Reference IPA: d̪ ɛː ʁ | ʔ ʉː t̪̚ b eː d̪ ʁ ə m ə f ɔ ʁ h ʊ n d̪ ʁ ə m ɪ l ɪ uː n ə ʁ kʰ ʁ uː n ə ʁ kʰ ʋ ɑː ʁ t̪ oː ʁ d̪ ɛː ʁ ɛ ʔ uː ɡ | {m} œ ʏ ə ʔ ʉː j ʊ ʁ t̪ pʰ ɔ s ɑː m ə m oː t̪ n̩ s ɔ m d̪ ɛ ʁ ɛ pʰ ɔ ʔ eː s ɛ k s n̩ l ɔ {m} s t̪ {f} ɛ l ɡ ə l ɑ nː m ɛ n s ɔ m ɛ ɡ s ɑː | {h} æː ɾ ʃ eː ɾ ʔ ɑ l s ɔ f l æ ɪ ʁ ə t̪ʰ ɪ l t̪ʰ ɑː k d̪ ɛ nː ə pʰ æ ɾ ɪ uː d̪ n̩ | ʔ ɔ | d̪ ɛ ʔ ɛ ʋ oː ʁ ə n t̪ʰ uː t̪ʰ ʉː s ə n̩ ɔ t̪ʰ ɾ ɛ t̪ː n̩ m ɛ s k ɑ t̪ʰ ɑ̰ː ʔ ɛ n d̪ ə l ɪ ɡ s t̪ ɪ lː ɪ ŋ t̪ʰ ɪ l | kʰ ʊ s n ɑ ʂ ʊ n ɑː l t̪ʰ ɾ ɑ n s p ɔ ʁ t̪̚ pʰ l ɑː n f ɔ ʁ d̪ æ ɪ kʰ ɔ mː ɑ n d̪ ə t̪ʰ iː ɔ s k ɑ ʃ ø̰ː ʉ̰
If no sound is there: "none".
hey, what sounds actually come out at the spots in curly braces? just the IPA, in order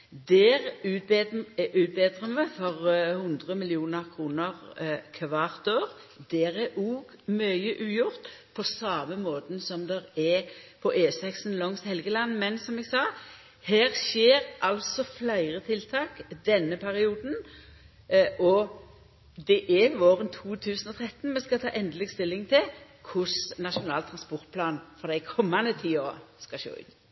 m, ŋ, h, h

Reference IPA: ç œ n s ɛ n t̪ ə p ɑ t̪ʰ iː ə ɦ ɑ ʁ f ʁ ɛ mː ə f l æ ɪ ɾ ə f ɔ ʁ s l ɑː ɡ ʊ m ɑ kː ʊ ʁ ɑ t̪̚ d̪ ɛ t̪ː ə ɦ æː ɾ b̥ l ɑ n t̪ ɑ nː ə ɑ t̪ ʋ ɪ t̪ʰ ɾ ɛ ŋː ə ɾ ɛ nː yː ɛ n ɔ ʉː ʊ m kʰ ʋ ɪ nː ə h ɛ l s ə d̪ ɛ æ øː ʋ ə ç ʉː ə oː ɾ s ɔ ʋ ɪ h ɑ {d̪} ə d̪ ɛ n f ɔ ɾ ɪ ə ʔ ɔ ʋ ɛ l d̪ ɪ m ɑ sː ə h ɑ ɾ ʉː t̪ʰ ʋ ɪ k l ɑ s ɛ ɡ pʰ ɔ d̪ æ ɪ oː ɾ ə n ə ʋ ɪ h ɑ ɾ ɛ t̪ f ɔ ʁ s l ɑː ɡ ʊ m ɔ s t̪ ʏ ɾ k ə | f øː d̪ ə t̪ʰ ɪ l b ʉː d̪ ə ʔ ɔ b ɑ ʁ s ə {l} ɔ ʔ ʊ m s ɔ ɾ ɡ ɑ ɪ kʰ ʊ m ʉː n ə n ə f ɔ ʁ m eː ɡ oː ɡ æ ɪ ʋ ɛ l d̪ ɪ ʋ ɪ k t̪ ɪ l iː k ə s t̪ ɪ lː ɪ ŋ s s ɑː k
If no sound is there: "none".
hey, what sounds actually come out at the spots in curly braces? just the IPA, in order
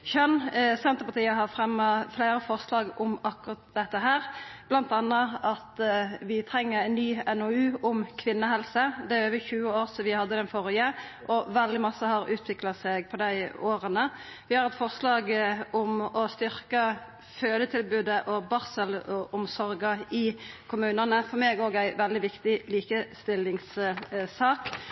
d̪ː, l

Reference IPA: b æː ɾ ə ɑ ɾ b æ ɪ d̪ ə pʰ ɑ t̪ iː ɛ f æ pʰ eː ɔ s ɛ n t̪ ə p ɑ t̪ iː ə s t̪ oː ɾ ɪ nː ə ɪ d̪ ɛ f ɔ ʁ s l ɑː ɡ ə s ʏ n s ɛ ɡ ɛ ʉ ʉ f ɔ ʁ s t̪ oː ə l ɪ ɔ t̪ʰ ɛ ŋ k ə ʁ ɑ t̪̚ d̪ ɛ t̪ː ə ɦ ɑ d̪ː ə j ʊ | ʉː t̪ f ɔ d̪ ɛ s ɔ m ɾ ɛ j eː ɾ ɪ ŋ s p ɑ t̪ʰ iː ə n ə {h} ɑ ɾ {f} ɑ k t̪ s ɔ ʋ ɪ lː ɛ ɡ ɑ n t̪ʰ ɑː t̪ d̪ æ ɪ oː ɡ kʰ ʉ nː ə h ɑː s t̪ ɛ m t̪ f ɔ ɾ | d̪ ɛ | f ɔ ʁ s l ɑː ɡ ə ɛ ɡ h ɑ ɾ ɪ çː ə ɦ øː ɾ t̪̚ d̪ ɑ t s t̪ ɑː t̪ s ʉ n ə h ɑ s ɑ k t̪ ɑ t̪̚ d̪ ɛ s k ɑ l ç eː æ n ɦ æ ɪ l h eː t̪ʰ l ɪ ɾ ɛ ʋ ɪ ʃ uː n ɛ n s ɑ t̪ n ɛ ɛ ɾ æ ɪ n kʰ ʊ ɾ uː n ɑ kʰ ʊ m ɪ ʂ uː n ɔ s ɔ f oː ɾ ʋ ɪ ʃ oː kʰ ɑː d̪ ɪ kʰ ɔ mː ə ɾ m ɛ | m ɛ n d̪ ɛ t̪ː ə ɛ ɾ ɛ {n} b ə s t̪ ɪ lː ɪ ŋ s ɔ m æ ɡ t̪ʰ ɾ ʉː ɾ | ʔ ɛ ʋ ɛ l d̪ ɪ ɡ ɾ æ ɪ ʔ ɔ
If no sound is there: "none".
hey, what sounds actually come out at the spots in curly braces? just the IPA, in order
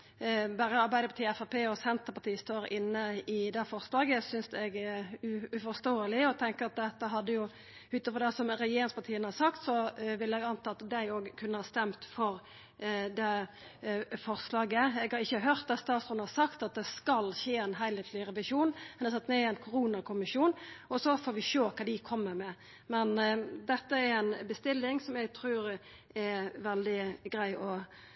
h, s, n

